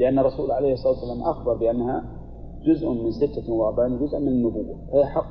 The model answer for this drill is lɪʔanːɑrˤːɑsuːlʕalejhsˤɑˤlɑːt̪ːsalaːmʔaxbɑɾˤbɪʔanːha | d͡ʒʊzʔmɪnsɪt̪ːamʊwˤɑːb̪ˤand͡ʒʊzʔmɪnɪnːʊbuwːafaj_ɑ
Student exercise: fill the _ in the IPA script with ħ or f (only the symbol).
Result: ħ